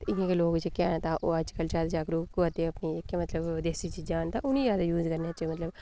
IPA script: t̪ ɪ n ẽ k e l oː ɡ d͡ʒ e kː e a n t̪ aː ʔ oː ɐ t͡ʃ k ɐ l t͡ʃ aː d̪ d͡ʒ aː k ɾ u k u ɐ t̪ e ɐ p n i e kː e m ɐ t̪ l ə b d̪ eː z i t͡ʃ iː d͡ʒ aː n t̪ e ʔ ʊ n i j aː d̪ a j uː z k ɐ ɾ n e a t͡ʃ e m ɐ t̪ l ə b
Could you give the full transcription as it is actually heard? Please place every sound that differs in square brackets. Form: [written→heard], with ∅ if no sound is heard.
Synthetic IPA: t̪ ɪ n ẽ k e l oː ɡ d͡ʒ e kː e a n t̪ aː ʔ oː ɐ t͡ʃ k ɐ l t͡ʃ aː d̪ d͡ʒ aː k ɾ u k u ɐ t̪ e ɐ p n i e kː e m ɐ t̪ l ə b d̪ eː [z→s] i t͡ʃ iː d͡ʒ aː n t̪ [e→a] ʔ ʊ n i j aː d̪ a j uː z k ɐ ɾ n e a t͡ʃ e m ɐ t̪ l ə b